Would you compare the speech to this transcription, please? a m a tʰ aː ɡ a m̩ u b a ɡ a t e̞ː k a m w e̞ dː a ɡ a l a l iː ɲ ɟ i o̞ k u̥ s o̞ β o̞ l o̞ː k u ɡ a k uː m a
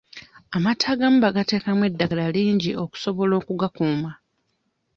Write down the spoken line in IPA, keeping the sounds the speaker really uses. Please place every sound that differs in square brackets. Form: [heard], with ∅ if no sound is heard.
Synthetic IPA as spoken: a m a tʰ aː ɡ a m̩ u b a ɡ a t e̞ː k a m w e̞ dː a ɡ a l a l iː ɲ ɟ i o̞ k u̥ s o̞ β o̞ l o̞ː k u ɡ a k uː m a

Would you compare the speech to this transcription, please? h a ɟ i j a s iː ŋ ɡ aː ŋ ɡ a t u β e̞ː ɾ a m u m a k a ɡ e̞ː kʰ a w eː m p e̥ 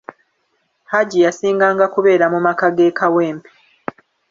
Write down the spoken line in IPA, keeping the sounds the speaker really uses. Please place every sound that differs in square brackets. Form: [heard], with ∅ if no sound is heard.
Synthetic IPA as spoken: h a ɟ i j a s iː ŋ ɡ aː ŋ ɡ a [k] u β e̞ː ɾ a m u m a k a ɡ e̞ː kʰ a w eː m p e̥

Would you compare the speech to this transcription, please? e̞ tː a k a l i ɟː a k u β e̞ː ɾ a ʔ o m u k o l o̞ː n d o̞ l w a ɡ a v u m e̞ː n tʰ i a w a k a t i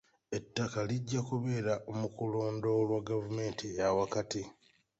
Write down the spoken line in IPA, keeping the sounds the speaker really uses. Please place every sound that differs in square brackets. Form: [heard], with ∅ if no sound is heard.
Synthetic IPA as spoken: e̞ tː a k a l i ɟː a k u β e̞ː ɾ a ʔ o m u k [u] l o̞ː n d o̞ l w a ɡ a v u m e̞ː n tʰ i a w a k a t i

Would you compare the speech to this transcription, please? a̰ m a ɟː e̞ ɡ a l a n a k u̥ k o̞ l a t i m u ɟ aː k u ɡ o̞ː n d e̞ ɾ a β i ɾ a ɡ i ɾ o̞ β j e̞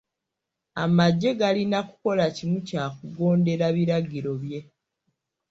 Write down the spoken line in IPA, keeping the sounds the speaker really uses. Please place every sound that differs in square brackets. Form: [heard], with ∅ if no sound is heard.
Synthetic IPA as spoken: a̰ m a ɟː e̞ ɡ a l [i] n a k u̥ k o̞ l a [c] i m u [c] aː k u ɡ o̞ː n d e̞ ɾ a β i ɾ a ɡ i ɾ o̞ β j e̞

